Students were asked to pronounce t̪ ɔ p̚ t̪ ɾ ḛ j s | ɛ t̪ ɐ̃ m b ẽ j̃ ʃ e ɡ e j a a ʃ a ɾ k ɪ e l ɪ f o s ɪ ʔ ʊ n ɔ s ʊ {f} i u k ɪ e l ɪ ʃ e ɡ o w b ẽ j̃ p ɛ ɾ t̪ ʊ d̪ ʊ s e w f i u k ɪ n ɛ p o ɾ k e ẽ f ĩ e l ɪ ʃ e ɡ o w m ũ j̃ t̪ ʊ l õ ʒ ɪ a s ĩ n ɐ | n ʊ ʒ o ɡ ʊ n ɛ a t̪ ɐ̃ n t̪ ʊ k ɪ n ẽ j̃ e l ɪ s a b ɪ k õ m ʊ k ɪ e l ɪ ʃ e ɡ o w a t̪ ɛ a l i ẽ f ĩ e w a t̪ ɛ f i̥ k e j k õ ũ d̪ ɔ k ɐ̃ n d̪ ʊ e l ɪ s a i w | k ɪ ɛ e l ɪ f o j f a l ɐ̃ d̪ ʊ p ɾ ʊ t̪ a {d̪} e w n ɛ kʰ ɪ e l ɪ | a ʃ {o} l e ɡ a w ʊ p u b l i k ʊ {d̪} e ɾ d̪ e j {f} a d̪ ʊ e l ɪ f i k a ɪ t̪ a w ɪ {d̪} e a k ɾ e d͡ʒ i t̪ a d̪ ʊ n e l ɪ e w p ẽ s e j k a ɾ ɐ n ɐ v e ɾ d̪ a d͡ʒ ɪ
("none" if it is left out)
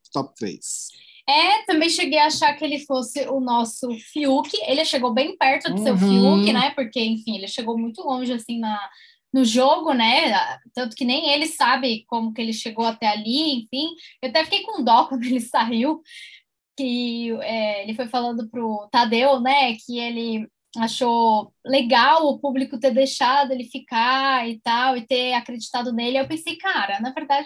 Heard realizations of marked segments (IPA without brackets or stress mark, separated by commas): f, d̪, o, t̪, ʃ, t̪